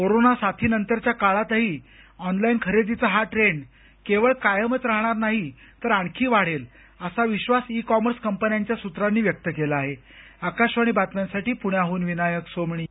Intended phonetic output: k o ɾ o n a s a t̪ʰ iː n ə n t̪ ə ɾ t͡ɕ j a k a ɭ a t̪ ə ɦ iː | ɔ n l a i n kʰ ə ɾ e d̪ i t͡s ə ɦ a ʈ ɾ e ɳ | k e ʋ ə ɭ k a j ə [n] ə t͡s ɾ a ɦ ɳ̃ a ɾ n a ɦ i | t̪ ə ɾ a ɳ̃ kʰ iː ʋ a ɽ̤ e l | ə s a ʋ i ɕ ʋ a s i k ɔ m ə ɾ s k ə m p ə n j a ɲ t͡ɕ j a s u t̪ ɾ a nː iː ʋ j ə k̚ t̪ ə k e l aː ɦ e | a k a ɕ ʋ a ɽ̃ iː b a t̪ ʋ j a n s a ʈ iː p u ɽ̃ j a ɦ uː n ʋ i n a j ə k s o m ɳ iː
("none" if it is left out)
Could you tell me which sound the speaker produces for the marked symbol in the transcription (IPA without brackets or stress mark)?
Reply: m